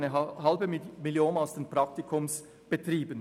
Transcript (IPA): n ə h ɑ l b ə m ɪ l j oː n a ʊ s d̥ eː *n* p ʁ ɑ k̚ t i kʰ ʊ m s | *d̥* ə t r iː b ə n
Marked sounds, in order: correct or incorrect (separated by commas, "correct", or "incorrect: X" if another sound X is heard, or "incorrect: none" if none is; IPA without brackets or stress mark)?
correct, incorrect: b̥